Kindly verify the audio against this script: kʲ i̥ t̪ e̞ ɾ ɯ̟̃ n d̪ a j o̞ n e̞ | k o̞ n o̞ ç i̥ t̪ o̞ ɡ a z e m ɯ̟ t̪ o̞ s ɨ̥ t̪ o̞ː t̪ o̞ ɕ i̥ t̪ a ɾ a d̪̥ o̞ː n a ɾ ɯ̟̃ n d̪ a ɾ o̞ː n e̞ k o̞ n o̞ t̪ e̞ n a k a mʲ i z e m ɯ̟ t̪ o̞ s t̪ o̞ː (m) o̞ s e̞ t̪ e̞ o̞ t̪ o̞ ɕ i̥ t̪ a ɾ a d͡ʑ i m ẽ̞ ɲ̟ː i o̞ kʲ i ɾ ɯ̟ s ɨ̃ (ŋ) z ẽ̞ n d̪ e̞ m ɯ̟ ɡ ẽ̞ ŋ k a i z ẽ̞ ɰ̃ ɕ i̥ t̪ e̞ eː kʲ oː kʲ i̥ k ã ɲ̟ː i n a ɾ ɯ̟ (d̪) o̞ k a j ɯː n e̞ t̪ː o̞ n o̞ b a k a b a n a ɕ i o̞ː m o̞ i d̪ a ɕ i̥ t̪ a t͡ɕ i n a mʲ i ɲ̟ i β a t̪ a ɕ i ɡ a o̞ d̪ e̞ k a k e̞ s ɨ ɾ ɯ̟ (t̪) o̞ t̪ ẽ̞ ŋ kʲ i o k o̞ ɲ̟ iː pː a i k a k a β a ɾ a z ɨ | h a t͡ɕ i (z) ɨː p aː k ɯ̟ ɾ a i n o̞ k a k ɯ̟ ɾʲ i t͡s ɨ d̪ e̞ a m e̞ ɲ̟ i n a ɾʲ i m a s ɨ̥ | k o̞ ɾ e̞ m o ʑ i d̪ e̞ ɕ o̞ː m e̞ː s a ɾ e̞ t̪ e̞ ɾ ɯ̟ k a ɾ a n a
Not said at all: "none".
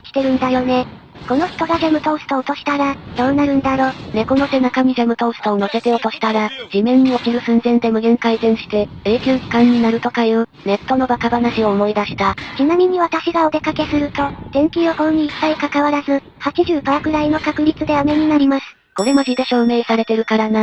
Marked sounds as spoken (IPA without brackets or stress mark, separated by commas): n, n, t̪, t̪, ʑ